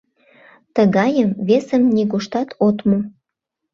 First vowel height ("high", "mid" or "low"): mid